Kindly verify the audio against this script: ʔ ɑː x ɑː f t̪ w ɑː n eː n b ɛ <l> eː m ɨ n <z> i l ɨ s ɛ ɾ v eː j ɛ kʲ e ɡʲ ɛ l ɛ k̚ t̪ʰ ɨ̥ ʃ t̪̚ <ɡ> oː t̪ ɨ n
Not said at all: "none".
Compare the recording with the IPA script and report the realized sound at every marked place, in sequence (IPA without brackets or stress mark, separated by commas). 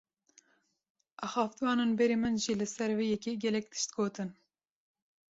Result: ɾ, ʒ, ɡ